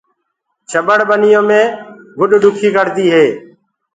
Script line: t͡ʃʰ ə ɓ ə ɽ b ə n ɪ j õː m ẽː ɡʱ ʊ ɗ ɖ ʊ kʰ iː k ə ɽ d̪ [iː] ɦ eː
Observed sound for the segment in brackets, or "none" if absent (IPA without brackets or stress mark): iː